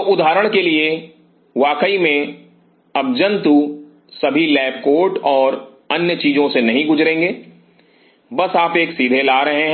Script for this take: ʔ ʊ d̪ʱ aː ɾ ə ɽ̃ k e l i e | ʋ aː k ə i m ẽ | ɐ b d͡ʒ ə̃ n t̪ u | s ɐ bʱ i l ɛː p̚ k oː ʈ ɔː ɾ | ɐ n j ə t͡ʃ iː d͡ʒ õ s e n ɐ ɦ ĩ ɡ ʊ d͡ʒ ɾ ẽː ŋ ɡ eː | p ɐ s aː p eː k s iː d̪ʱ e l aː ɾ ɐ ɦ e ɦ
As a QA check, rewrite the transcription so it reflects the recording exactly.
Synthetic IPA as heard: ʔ ʊ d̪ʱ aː ɾ ə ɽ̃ k e l i e | ʋ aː k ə i m ẽ | ɐ b d͡ʒ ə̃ n t̪ u | s ɐ bʱ i l ɛː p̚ k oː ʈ ɔː ɾ | ɐ n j ə t͡ʃ iː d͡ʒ õ s e n ɐ ɦ ĩ ɡ ʊ d͡ʒ ɾ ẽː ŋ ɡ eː | b ɐ s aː p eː k s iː d̪ʱ e l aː ɾ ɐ ɦ e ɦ